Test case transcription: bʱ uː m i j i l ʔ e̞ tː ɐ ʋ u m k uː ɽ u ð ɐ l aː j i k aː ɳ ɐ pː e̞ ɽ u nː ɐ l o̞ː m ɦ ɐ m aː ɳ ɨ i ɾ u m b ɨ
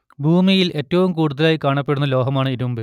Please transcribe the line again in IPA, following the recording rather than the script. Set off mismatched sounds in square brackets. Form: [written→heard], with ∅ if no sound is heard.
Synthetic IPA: bʱ uː m i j i l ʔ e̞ tː ɐ ʋ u m k uː ɽ u ð ɐ l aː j i k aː ɳ ɐ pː e̞ ɽ u nː ɐ l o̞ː [m→∅] ɦ ɐ m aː ɳ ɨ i ɾ u m b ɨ

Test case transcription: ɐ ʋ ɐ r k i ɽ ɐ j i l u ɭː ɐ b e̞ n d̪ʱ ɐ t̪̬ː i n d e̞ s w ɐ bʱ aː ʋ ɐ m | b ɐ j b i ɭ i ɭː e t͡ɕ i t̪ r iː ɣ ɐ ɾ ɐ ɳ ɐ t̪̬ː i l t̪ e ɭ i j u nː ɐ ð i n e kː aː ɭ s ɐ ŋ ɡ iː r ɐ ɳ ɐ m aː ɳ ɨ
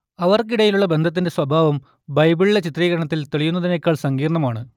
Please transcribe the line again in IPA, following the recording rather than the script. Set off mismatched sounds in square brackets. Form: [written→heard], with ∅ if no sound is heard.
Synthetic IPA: ɐ ʋ ɐ r k i ɽ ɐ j i l u ɭː ɐ b e̞ n d̪ʱ ɐ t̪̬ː i n d e̞ s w ɐ bʱ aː ʋ ɐ m | b ɐ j b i ɭ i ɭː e t͡ɕ i t̪ r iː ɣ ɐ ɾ ɐ ɳ ɐ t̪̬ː i l t̪ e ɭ i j u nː ɐ ð i n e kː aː ɭ s ɐ ŋ ɡ iː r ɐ ɳ ɐ m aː ɳ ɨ

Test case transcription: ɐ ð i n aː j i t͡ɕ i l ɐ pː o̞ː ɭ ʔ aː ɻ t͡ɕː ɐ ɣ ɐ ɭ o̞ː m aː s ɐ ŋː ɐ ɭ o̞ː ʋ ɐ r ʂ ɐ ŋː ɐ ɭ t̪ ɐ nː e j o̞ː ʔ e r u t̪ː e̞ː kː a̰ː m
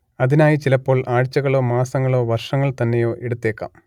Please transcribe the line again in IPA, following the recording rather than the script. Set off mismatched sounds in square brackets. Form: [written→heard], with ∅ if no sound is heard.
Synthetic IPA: ɐ ð i n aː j i t͡ɕ i l ɐ pː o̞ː ɭ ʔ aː ɻ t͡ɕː ɐ ɣ ɐ ɭ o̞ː m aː s ɐ ŋː ɐ ɭ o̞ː ʋ ɐ r ʂ ɐ ŋː ɐ ɭ t̪ ɐ nː e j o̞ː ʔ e [r→ɽ] u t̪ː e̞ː kː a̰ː m

